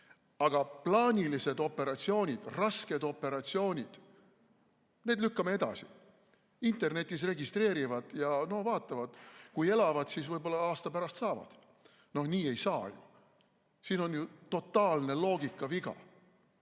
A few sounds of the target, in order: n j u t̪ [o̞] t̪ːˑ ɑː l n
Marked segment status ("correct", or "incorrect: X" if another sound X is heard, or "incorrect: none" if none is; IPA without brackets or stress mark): correct